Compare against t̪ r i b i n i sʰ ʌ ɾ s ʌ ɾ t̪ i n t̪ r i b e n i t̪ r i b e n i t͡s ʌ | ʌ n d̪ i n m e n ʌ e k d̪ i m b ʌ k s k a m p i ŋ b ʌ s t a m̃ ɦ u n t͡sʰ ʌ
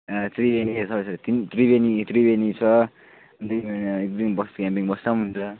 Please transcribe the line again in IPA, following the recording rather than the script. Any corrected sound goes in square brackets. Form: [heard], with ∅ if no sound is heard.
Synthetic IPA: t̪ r i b [e] n i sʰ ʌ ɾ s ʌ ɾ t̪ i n t̪ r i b e n i t̪ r i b e n i [t͡sʰ] ʌ | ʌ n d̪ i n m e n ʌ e k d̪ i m b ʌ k s k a m p i ŋ b ʌ s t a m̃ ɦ u n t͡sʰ ʌ